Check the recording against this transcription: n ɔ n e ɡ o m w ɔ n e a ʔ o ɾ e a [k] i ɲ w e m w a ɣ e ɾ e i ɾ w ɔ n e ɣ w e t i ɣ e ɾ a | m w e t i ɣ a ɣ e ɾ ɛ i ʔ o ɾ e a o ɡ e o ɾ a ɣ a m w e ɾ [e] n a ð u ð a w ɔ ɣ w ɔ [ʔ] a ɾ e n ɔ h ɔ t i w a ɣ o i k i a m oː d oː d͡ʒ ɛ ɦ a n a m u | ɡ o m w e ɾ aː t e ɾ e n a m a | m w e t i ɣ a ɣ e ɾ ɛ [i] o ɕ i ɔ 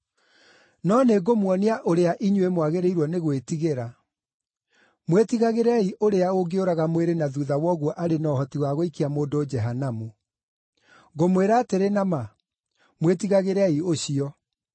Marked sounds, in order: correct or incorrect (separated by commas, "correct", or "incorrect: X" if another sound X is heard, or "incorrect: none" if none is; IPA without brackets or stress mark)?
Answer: incorrect: ʔ, correct, correct, correct